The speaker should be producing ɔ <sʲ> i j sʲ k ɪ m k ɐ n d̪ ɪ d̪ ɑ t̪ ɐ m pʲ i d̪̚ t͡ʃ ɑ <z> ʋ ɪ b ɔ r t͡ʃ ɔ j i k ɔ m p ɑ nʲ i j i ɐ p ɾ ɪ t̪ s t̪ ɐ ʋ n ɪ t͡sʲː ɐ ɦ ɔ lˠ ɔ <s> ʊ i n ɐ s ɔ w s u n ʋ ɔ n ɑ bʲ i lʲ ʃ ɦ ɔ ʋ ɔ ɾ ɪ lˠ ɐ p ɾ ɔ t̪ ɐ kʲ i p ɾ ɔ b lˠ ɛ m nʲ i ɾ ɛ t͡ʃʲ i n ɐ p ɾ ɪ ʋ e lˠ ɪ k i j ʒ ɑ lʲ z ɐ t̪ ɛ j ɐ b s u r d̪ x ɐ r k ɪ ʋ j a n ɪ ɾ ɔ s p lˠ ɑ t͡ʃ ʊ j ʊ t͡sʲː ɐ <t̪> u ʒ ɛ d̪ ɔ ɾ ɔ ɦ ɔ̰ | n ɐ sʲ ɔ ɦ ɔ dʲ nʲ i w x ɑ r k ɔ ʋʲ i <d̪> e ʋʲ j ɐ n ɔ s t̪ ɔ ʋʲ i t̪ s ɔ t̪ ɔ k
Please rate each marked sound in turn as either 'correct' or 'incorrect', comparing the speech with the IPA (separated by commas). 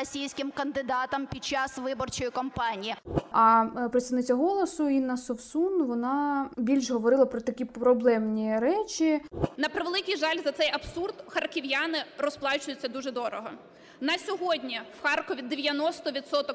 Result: correct, incorrect, correct, incorrect, correct